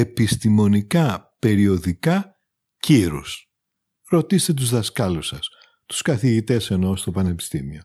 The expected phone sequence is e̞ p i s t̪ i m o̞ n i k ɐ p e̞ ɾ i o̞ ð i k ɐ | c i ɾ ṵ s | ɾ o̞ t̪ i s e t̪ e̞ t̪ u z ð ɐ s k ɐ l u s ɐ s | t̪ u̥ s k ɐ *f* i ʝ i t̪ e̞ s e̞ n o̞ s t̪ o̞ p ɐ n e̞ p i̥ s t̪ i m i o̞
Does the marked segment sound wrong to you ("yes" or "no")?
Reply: yes